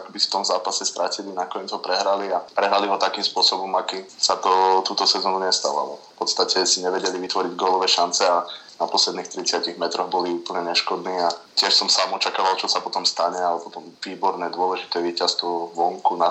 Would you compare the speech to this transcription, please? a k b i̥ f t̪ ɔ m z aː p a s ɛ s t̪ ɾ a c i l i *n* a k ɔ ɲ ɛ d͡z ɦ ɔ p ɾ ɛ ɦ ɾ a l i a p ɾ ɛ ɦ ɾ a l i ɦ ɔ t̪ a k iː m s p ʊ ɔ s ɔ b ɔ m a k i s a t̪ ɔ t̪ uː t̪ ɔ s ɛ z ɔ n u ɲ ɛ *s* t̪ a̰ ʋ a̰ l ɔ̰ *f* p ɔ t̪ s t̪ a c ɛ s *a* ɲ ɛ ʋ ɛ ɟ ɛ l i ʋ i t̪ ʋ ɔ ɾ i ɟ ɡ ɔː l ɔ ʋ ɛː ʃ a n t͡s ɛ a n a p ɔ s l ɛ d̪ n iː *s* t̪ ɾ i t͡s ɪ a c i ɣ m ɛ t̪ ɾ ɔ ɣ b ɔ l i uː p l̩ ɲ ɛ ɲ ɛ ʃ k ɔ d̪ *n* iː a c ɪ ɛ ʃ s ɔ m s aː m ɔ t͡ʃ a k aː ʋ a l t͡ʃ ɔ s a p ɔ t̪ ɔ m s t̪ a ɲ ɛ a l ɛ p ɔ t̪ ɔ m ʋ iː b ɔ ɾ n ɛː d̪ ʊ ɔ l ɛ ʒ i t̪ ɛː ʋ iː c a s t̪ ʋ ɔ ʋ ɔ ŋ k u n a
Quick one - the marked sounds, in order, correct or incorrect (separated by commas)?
correct, correct, correct, incorrect, incorrect, correct